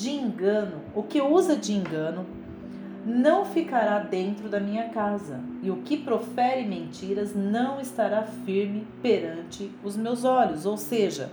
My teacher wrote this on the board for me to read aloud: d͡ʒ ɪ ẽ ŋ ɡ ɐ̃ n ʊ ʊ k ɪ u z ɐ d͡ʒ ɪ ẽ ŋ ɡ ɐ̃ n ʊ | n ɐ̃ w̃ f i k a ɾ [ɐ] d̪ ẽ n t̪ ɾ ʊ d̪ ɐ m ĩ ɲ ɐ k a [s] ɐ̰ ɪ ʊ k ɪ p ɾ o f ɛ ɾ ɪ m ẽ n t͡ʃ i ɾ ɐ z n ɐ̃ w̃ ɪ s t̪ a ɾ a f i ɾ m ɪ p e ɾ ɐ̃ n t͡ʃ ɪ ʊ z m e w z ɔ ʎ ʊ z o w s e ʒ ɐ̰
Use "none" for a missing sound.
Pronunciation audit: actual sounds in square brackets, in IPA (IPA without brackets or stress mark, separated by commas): a, z